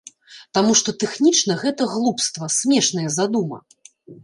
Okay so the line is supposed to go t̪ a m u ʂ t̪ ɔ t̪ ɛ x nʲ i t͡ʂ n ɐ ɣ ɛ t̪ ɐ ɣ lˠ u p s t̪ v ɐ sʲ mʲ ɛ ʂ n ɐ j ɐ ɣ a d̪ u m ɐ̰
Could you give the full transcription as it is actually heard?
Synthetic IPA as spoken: t̪ a m u ʂ t̪ ɔ t̪ ɛ x nʲ i t͡ʂ n ɐ ɣ ɛ t̪ ɐ ɣ lˠ u p s t̪ v ɐ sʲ mʲ ɛ ʂ n ɐ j ɐ z a d̪ u m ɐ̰